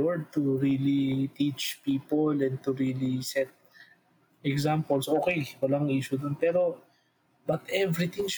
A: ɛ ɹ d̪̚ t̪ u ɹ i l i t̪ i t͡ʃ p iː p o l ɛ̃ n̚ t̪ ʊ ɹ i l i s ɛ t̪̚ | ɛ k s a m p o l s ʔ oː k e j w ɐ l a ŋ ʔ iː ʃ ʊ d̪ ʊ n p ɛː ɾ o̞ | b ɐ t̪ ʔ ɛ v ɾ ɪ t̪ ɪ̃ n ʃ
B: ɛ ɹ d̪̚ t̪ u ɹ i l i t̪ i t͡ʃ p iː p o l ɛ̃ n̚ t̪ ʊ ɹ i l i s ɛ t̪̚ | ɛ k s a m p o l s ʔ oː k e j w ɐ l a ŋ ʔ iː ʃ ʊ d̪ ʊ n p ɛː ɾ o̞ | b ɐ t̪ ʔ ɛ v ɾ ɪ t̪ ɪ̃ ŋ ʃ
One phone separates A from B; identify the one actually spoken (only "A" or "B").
B